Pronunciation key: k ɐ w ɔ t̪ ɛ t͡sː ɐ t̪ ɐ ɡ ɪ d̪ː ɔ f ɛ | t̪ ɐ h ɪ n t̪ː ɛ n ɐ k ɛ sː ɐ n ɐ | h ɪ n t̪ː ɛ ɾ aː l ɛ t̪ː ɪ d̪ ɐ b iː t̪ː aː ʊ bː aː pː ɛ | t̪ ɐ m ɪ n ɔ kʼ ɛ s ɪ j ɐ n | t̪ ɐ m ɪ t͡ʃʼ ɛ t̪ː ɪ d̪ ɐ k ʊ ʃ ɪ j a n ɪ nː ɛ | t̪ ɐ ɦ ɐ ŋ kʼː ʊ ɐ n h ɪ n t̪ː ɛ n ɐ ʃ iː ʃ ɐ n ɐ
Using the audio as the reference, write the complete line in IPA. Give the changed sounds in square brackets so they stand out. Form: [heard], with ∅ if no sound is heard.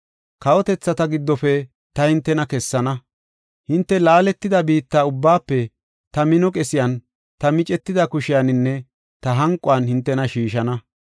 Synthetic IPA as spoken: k ɐ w ɔ t̪ ɛ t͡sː ɐ t̪ ɐ ɡ ɪ d̪ː ɔ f ɛ | t̪ ɐ h ɪ n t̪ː ɛ n ɐ k ɛ sː ɐ n ɐ | h ɪ n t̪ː ɛ [l] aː l ɛ t̪ː ɪ d̪ ɐ b iː t̪ː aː ʊ bː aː pː ɛ | t̪ ɐ m ɪ n ɔ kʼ ɛ s ɪ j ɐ n | t̪ ɐ m ɪ t͡ʃʼ ɛ t̪ː ɪ d̪ ɐ k ʊ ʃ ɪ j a n ɪ nː ɛ | t̪ ɐ ɦ ɐ ŋ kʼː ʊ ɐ n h ɪ n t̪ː ɛ n ɐ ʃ iː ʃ ɐ n ɐ